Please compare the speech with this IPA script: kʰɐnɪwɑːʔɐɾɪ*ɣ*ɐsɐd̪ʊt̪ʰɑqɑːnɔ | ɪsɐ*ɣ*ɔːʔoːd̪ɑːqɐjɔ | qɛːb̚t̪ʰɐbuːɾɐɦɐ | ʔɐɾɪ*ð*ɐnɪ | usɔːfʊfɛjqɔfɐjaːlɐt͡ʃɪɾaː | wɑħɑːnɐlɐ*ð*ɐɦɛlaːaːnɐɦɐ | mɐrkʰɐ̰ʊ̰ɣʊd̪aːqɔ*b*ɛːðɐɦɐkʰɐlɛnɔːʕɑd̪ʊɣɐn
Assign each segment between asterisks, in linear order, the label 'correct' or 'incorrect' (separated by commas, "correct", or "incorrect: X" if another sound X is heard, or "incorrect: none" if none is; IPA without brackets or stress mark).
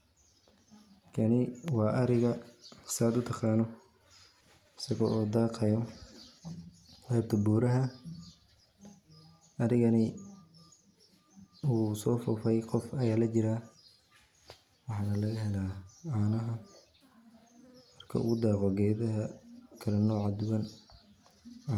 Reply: correct, correct, incorrect: ɣ, incorrect: ɣ, incorrect: ɡ